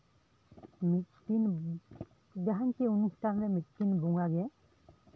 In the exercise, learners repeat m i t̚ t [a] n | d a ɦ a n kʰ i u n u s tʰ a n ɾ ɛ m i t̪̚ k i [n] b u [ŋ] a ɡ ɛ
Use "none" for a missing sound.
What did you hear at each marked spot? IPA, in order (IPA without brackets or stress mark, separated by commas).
i, n, ŋ